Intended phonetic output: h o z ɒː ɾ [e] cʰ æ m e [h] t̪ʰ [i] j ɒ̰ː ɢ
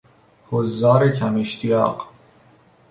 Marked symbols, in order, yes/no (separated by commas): yes, no, yes